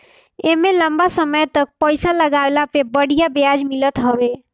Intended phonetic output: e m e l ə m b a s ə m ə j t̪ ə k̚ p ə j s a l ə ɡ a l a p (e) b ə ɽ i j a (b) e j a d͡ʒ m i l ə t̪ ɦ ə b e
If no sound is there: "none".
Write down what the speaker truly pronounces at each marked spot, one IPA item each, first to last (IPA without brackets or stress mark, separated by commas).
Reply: e, b